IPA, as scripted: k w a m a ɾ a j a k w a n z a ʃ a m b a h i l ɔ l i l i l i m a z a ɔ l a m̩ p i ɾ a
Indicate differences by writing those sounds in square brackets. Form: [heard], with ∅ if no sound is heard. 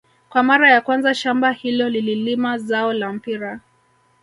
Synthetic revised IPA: k w a m a ɾ a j a k w a n z a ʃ a m b a h i l ɔ l i l i l i m a z a ɔ l a m̩ p i ɾ a